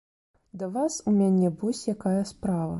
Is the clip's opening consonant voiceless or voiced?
voiced